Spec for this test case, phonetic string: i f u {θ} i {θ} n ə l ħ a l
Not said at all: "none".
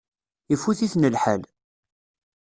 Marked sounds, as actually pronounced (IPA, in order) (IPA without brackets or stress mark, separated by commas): θ, θ